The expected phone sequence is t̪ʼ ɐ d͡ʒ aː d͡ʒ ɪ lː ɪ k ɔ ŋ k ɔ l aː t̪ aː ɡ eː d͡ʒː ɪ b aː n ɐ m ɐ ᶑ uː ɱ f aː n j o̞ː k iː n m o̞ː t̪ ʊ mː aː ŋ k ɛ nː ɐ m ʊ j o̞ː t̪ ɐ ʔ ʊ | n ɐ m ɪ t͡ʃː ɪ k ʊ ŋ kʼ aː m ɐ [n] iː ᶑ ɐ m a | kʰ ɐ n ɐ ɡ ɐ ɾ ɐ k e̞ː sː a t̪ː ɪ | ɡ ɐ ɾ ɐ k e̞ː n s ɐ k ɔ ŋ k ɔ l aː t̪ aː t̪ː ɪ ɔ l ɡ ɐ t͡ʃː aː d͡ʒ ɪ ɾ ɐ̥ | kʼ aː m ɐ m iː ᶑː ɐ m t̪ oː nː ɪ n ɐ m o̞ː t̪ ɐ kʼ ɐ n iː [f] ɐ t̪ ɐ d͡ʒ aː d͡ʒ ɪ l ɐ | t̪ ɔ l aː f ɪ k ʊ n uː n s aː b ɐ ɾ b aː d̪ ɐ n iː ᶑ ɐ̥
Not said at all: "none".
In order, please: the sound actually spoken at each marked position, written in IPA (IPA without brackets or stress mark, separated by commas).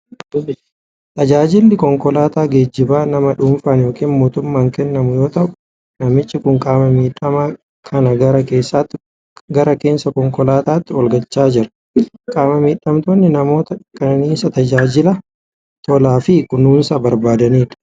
m, s